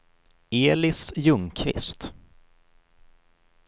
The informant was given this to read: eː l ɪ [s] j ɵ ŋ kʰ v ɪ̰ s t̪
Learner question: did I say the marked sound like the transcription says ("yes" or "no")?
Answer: yes